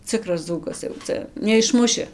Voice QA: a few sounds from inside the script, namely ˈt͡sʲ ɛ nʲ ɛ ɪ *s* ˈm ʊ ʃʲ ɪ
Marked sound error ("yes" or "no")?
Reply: yes